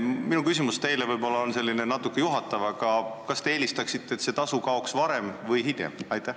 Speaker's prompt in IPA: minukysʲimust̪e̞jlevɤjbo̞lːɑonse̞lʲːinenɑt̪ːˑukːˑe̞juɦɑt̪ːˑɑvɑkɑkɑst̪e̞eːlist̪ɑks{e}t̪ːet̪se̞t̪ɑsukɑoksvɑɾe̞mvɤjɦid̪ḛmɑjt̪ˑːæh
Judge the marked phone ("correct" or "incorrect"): incorrect